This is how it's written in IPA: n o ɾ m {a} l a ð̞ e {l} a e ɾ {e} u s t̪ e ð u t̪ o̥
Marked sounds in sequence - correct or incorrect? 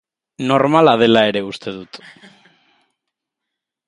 correct, correct, correct

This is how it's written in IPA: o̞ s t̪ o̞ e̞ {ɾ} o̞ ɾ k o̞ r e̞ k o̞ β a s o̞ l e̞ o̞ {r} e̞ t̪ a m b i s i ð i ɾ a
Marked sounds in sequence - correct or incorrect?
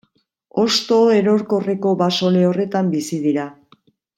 correct, correct

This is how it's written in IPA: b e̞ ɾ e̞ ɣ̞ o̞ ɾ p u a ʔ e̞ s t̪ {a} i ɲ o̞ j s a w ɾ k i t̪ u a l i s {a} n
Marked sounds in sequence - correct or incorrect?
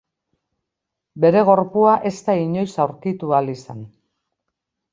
correct, correct

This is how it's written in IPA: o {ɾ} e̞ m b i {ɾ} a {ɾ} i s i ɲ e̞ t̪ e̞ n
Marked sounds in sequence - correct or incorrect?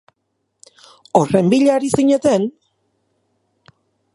incorrect: r, incorrect: ʎ, correct

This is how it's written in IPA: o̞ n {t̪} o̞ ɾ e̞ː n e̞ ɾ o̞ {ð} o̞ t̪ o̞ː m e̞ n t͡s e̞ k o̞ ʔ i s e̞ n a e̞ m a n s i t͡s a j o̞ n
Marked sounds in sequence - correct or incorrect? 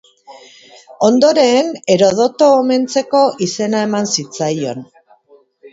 incorrect: d̪, correct

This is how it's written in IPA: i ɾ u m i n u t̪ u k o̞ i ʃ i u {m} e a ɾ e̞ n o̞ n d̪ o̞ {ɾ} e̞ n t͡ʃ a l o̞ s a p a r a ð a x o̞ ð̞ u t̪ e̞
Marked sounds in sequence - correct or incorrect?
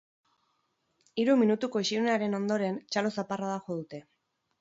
incorrect: n, correct

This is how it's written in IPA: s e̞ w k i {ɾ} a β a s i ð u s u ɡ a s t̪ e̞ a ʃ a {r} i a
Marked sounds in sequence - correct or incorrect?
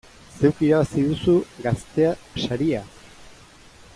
correct, incorrect: ɾ

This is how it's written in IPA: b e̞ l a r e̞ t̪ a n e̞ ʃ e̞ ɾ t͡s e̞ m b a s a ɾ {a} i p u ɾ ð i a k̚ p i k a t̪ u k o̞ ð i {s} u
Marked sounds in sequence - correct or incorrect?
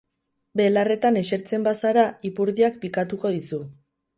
correct, correct

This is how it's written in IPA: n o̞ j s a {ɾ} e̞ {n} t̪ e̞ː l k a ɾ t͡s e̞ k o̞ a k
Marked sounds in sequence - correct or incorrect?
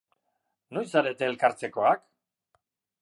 correct, incorrect: none

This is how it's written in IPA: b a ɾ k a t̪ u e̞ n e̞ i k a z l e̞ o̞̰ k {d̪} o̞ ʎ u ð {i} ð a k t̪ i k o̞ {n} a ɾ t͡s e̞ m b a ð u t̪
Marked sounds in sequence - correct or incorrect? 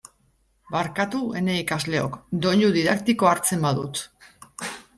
correct, correct, incorrect: none

